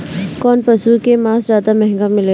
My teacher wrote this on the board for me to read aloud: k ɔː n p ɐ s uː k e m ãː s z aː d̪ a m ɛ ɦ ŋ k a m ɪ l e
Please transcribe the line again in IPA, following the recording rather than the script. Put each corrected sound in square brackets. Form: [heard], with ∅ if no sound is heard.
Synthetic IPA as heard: k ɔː n p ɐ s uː k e m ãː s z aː d̪ a m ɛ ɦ ŋ [ɡ] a m ɪ l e

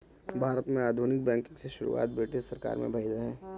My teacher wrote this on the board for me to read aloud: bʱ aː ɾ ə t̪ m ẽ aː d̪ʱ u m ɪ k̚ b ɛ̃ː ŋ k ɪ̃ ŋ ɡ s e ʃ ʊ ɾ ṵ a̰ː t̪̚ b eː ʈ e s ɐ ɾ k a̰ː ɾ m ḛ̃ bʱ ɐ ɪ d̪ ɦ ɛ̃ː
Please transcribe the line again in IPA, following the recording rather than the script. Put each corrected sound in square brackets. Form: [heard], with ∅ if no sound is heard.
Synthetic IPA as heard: bʱ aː ɾ ə t̪ m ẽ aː d̪ʱ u [n] ɪ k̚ b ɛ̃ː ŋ k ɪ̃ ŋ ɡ s e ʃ ʊ ɾ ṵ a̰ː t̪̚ b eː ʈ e s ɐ ɾ k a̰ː ɾ m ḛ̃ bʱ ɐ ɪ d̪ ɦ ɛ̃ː

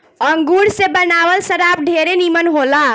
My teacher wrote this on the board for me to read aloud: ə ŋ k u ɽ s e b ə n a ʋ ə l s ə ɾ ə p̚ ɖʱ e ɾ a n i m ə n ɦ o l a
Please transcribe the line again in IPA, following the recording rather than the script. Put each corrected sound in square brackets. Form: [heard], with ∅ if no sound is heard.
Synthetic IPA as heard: ə ŋ [ɡ] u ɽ s e b ə n a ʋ ə l s ə ɾ [a] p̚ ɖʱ e ɾ [e] n i m ə n ɦ o l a

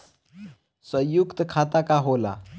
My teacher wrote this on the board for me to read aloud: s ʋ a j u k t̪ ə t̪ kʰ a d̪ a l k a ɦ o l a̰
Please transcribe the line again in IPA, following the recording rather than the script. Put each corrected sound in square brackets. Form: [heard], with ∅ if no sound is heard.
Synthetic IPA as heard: s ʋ [ə] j u k t̪ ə [∅] kʰ a [t̪] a [∅] k a ɦ o l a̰

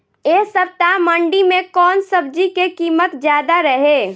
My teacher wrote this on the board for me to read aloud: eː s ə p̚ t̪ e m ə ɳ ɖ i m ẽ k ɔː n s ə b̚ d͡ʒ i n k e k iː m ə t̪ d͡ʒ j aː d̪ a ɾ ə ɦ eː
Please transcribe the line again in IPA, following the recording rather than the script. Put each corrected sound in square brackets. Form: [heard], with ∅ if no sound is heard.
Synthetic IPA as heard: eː s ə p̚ t̪ [a] m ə ɳ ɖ i m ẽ k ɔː n s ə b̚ d͡ʒ i [∅] k e k iː m ə t̪ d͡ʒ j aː d̪ a ɾ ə ɦ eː

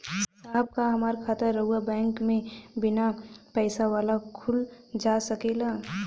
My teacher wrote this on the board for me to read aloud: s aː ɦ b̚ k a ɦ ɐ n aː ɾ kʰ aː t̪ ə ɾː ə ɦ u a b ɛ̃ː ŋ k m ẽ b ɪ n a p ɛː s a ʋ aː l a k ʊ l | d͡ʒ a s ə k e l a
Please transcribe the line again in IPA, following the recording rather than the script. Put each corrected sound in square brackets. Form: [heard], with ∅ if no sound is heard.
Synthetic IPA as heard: s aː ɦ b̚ k a ɦ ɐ [m] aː ɾ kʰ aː t̪ ə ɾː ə ɦ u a b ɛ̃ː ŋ k m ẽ b ɪ n a p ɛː s a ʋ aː l a [kʰ] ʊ l | d͡ʒ a s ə k e l a

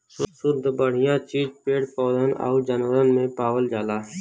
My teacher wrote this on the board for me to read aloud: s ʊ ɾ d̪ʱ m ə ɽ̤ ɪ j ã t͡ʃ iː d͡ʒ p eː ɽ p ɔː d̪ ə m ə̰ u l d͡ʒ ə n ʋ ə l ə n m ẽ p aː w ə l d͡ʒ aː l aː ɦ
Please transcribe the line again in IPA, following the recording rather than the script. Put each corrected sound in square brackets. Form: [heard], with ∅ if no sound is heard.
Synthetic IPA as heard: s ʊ ɾ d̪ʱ [b] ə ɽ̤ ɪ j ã t͡ʃ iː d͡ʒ p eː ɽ p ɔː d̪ ə [n] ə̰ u [∅] d͡ʒ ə n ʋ ə [ɾ] ə n m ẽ p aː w ə l d͡ʒ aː l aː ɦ

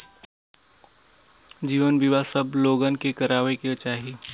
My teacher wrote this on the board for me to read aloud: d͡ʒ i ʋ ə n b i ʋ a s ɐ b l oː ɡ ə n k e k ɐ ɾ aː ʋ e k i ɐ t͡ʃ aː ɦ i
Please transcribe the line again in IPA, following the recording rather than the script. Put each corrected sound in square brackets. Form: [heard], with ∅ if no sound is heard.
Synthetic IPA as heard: d͡ʒ [iː] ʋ ə n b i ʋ a s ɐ b l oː ɡ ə n k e k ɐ ɾ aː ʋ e k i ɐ t͡ʃ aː ɦ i

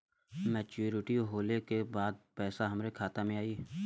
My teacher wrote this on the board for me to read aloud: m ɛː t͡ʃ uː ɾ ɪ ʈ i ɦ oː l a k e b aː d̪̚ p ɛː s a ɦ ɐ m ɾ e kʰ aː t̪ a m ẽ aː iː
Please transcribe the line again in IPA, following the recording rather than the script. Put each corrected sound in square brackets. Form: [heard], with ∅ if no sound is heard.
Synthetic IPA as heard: m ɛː t͡ʃ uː ɾ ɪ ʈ i ɦ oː l [e] k e b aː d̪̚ p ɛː s a ɦ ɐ m ɾ e kʰ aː t̪ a m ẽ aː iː

